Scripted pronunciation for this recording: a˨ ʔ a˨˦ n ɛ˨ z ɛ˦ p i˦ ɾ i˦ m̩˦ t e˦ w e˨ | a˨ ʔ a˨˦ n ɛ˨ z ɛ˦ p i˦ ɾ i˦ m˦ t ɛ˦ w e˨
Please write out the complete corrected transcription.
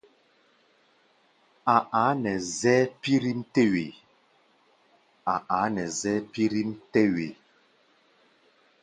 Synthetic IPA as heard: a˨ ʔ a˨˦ n ɛ˨ z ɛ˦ p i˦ ɾ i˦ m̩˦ t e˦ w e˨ | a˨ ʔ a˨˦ n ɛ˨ z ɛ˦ p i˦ ɾ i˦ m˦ t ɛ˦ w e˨